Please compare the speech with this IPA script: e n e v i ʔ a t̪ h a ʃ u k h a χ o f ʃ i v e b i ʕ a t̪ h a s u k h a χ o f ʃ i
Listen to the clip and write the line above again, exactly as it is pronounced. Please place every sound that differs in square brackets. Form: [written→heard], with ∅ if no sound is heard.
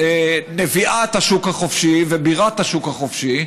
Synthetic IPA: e n e v i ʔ a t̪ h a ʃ u k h a χ o f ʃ i v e b i [ʕ→ʁ] a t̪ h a [s→ʃ] u k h a χ o f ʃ i